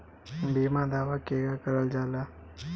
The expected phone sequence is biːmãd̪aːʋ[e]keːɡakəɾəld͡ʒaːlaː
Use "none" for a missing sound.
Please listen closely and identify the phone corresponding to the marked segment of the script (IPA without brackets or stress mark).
a